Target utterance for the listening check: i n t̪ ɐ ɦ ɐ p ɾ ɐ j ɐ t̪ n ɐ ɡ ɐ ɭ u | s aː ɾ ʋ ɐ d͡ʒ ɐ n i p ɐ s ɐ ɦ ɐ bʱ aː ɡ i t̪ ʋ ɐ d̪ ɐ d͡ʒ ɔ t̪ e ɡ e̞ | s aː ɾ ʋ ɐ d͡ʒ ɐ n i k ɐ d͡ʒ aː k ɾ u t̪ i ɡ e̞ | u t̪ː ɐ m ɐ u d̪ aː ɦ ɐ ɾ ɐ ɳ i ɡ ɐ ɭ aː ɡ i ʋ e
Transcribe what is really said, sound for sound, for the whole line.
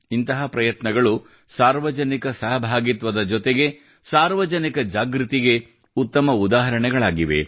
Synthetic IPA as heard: i n t̪ ɐ ɦ ɐ p ɾ ɐ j ɐ t̪ n ɐ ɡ ɐ ɭ u | s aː ɾ ʋ ɐ d͡ʒ ɐ n i k ɐ s ɐ ɦ ɐ bʱ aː ɡ i t̪ ʋ ɐ d̪ ɐ d͡ʒ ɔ t̪ e ɡ e̞ | s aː ɾ ʋ ɐ d͡ʒ ɐ n i k ɐ d͡ʒ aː ɡ ɾ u t̪ i ɡ e̞ | u t̪ː ɐ m ɐ u d̪ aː ɦ ɐ ɾ ɐ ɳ ɛ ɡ ɐ ɭ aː ɡ i ʋ e